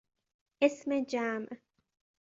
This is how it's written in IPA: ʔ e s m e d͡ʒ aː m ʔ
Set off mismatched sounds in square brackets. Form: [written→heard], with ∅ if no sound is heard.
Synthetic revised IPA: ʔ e s m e d͡ʒ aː m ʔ